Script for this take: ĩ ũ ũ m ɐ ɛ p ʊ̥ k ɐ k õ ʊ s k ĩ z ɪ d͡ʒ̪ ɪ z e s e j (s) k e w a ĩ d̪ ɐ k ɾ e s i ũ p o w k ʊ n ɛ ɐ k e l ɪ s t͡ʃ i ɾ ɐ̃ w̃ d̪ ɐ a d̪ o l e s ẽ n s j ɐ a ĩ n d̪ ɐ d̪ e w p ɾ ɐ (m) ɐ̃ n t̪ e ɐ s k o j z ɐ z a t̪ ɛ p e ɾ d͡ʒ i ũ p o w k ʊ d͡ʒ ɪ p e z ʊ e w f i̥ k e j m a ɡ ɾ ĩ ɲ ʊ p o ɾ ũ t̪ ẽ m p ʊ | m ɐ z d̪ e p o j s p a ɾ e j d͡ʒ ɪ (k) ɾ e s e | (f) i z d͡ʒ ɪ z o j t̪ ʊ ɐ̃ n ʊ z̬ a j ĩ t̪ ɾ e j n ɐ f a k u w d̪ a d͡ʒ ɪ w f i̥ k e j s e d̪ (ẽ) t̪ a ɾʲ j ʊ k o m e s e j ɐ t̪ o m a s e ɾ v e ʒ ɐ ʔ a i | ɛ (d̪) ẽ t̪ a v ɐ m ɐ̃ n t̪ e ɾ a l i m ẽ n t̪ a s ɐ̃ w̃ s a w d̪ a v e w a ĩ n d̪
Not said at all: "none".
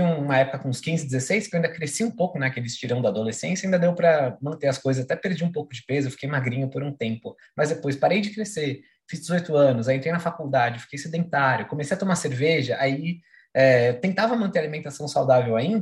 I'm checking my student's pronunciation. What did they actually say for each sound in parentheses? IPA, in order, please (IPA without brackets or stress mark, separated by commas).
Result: s, m, k, f, ẽ, t̪